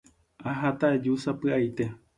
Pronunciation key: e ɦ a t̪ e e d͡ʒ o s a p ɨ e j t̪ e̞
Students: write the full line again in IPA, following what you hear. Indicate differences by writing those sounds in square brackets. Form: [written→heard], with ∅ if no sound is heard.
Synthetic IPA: [e→a] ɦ a t̪ [e→a] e d͡ʒ [o→u] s a p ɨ [e→a] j t̪ e̞

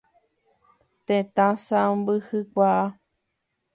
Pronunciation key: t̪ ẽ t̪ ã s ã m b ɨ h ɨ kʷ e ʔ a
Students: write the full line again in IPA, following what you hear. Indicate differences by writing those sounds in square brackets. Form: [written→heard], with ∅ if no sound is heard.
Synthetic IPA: t̪ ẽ t̪ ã s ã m b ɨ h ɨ kʷ [e→a] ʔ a

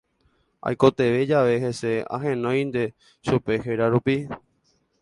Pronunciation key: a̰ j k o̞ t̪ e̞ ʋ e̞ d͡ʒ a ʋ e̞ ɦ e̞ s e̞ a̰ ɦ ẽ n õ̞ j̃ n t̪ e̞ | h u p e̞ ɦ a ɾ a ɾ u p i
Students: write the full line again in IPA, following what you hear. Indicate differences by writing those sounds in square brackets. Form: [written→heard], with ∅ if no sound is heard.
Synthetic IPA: a̰ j k o̞ t̪ e̞ ʋ e̞ d͡ʒ a ʋ e̞ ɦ e̞ s e̞ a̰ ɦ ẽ n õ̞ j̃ n [t̪→d̪] e̞ | [h→ʃ] u p e̞ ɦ [a→e] ɾ a ɾ u p i

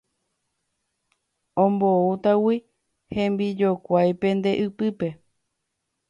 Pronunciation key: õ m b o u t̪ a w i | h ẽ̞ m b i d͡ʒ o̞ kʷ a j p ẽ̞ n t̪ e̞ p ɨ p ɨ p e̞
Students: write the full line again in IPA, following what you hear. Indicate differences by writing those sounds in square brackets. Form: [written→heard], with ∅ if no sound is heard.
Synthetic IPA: õ m b o u t̪ a w i | h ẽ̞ m b i d͡ʒ o̞ kʷ a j p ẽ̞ n [t̪→d̪] e̞ [p→ʔ] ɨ p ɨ p e̞

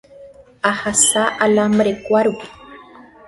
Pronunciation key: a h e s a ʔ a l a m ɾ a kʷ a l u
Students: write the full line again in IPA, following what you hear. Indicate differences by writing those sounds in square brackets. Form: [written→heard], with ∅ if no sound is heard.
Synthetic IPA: a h [e→a] s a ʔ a l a m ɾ [a→e] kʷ a [l→ɾ] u

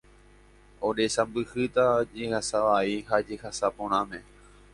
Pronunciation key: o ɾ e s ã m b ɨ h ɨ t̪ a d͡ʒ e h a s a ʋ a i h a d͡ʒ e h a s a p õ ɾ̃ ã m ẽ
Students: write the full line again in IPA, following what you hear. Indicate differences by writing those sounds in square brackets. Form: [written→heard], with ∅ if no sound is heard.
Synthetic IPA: o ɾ e s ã m b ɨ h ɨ t̪ a d͡ʒ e h a s a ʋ a i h a d͡ʒ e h a s a p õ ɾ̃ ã m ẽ

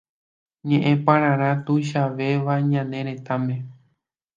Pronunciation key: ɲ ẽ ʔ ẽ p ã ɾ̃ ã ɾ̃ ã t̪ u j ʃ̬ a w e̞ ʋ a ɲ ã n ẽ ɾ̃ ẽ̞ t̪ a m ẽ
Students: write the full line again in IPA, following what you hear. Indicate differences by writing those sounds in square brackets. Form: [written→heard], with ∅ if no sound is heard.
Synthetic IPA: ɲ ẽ ʔ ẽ p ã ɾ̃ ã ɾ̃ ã t̪ u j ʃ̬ a [w→ʋ] e̞ ʋ a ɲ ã n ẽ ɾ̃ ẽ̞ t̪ a m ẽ

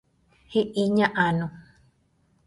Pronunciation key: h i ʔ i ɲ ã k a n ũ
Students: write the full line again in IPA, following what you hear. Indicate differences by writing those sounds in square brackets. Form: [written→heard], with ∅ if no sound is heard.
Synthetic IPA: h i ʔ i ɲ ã [k→ʔ] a n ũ

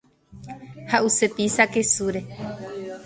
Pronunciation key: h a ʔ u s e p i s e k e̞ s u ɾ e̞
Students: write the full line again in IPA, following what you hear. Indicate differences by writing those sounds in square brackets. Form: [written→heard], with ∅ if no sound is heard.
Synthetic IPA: h a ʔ u s e p i s [e→a] k e̞ s u ɾ e̞

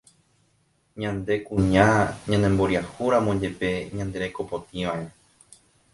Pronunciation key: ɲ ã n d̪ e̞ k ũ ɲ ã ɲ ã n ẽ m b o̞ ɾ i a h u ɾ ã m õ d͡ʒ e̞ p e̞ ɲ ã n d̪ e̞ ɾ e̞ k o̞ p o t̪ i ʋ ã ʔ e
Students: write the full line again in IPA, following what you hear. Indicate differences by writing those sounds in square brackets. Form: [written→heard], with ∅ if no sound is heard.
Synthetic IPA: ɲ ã n d̪ e̞ k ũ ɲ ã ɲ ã n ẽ m b o̞ ɾ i a h u ɾ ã m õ d͡ʒ e̞ p e̞ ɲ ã n d̪ e̞ ɾ e̞ k o̞ p o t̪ i ʋ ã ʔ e

